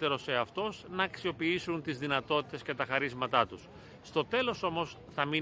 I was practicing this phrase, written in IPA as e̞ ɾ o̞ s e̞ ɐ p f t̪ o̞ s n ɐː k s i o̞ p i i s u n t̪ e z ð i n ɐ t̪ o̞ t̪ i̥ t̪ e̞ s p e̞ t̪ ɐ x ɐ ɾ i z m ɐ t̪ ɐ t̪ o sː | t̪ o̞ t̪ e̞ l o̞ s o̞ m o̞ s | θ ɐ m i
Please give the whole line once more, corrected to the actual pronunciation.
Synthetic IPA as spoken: e̞ ɾ o̞ s e̞ ɐ f t̪ o̞ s n ɐː k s i o̞ p i i s u n t̪ i z ð i n ɐ t̪ o̞ t̪ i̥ t̪ e̞ s c e̞ t̪ ɐ x ɐ ɾ i z m ɐ t̪ ɐ t̪ u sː | t̪ o̞ t̪ e̞ l o̞ s o̞ m o̞ s | θ ɐ m i